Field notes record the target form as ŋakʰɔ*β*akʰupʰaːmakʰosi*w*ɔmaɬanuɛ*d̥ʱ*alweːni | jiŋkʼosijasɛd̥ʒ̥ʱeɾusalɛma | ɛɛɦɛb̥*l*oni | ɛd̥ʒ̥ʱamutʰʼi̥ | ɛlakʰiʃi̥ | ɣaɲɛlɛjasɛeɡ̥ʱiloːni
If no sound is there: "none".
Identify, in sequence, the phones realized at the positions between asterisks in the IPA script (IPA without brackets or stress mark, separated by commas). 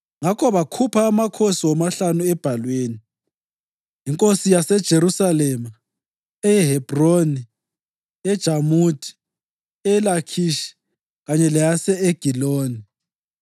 β, w, b̥ʱ, r